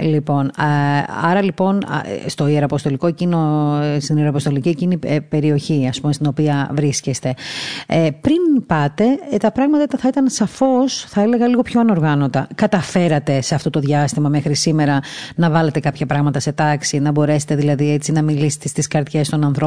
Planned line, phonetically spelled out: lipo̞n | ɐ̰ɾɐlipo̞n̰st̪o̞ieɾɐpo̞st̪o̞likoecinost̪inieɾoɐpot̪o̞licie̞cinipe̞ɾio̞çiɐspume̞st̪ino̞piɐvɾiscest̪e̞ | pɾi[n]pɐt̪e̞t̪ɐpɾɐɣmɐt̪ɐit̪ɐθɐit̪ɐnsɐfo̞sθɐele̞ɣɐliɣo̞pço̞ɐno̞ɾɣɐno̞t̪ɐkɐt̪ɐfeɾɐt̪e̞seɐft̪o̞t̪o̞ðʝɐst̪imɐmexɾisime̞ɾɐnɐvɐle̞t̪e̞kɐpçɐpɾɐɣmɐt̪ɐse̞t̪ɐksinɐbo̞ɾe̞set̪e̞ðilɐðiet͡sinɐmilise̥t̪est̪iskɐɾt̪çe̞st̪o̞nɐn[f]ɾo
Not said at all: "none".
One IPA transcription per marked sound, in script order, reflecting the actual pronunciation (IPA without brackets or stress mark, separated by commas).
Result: n, θ